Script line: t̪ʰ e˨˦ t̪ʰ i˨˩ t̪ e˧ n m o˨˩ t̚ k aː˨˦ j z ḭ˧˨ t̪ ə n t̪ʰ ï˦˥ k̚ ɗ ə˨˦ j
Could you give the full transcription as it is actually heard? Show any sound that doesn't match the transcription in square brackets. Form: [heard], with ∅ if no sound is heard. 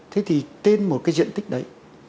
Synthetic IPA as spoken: t̪ʰ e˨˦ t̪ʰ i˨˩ t̪ e˧ n m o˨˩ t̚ k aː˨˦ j z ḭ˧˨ [∅] ə n [t̪] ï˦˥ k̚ ɗ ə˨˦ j